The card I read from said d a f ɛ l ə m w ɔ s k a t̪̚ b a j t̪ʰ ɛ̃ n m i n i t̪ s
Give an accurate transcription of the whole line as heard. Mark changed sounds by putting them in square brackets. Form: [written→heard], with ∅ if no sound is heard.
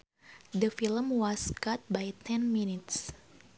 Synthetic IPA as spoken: d [a→ə] f [ɛ→i] l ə m w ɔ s k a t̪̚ b a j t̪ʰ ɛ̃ n m i n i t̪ s